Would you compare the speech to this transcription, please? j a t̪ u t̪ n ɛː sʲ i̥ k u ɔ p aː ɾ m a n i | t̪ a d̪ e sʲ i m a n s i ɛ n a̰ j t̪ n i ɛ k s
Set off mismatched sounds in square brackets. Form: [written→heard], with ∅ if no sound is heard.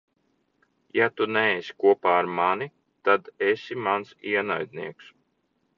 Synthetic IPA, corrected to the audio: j a t̪ u [t̪→∅] n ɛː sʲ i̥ k u ɔ p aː ɾ m a n i | t̪ a d̪ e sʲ i m a n s i ɛ n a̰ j [t̪→d̪] n i ɛ k s

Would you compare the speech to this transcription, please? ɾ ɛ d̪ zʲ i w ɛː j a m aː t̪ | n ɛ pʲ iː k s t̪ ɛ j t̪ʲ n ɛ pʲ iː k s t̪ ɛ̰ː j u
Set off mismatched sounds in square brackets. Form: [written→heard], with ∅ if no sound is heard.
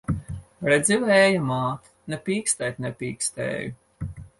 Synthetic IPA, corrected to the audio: ɾ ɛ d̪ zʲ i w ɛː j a m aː t̪ | n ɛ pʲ iː k s t̪ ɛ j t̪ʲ n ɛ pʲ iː k s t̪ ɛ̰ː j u

